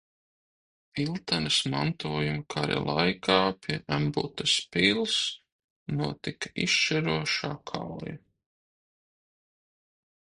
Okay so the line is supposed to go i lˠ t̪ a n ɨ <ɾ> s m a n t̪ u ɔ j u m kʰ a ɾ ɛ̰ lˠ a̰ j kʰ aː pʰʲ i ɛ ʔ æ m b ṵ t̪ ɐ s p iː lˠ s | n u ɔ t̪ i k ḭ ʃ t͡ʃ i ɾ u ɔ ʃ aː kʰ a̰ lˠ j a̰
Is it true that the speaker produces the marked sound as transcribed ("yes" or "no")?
no